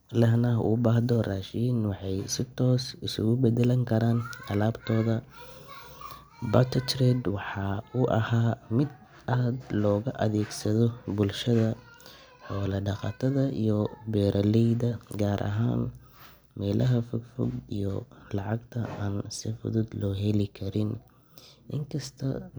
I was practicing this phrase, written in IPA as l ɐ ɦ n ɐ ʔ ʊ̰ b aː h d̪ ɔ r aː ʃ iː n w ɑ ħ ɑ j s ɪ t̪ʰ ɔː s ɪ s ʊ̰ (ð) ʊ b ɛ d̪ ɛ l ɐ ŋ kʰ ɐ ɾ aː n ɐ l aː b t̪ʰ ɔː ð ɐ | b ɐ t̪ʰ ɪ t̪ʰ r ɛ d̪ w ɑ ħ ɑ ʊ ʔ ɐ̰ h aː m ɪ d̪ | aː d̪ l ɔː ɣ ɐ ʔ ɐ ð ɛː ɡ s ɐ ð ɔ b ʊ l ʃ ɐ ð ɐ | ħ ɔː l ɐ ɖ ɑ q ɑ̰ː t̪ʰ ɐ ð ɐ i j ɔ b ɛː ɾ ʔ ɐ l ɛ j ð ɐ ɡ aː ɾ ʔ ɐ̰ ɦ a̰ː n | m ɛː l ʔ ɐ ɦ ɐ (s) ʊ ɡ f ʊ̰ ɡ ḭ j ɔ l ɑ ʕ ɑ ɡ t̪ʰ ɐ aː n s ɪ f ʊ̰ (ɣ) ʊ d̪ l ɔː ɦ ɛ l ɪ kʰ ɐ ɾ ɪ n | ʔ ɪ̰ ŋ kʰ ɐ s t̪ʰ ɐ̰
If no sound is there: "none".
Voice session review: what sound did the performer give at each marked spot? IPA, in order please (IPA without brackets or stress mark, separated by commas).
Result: ɣ, f, ð